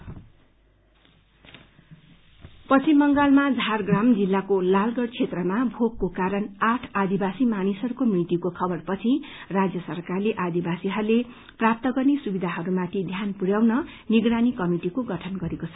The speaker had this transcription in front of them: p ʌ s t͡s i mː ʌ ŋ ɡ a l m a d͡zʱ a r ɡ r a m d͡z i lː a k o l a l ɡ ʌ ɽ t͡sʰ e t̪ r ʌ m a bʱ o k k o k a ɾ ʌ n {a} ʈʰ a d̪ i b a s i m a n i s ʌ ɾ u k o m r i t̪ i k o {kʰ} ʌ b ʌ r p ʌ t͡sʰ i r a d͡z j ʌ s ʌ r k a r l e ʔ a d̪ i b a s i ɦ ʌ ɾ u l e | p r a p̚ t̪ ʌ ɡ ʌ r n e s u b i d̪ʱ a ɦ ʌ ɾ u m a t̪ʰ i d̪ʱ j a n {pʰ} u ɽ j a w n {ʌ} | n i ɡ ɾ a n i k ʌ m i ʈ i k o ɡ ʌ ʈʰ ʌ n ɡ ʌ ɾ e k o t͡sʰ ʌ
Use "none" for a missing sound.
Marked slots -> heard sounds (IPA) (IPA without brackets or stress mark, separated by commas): a, kʰ, p, ʌ